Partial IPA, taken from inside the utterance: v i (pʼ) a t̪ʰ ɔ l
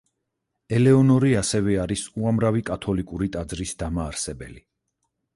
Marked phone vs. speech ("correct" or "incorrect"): incorrect